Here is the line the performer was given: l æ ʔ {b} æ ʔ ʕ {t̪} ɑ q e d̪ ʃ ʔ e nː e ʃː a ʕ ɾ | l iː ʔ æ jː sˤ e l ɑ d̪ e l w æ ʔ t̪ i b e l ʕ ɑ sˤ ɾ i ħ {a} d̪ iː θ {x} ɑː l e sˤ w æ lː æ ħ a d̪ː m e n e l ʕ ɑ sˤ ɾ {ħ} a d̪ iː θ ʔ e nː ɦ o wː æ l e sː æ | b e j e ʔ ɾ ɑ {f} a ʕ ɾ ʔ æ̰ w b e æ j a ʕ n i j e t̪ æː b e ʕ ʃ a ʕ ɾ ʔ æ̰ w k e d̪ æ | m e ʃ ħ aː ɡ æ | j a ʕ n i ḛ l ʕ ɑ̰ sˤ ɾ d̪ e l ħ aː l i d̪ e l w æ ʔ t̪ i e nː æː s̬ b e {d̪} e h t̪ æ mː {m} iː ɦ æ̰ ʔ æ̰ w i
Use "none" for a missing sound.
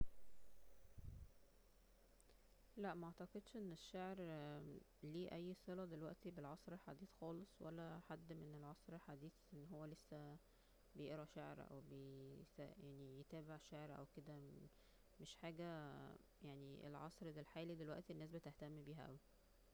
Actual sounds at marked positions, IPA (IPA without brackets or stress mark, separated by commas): m, t̪, a, x, ħ, ʃ, t̪, b